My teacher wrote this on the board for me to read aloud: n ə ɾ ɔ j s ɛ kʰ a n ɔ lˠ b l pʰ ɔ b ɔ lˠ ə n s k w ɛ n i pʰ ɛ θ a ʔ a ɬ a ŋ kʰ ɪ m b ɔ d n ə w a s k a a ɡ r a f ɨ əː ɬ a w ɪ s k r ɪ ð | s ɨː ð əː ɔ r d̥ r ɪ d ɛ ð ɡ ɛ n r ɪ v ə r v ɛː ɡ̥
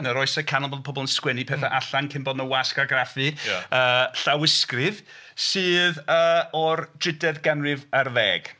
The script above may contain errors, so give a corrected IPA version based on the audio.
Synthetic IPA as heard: n ə ɾ ɔ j s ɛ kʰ a n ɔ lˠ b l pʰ ɔ b ɔ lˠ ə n s k w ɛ n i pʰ ɛ θ a ʔ a ɬ a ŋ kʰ ɪ m b ɔ d n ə w a s k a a ɡ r a f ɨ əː ɬ a w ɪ s k r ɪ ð | s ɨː ð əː ɔ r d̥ r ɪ d ɛ ð ɡ ɛ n r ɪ v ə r v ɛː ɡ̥